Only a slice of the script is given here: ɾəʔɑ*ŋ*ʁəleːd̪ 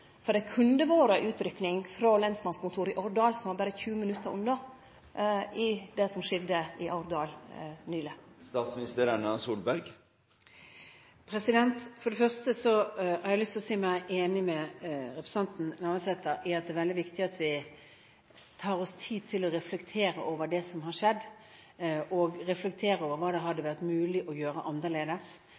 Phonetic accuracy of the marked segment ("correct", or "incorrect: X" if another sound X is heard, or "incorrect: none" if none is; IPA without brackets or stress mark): incorrect: n